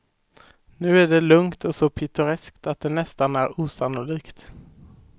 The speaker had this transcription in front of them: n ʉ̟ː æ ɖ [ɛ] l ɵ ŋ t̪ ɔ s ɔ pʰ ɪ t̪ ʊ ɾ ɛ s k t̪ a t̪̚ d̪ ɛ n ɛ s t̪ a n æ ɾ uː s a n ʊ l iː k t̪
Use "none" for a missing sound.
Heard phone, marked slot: ɛ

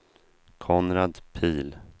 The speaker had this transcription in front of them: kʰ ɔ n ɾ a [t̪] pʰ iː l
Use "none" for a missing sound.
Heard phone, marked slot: d̪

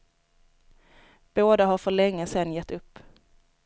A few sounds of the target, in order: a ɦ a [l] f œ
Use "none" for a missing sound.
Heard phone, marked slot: ɾ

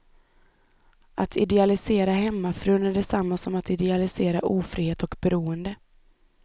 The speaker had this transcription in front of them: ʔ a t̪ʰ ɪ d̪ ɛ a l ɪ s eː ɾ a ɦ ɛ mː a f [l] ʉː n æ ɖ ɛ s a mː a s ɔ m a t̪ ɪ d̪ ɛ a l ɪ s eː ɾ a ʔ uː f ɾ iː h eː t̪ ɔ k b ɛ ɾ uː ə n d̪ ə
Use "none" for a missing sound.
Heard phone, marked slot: ɾ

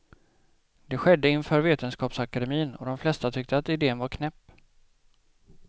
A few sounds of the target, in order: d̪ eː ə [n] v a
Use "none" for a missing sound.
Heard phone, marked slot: n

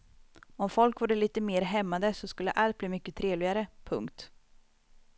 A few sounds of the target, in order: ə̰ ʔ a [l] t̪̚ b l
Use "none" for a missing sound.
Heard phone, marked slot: l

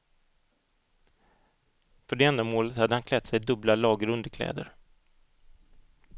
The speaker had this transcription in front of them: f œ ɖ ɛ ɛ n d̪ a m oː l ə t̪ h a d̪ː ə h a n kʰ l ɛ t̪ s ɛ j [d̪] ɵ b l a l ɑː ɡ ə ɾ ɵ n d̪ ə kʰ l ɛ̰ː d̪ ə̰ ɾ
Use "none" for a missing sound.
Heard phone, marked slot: d̪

